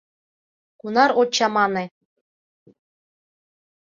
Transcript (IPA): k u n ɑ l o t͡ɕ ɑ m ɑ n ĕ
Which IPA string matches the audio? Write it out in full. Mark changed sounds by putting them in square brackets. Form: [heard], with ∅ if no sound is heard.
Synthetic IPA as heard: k u n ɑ [ɾ] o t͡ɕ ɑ m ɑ n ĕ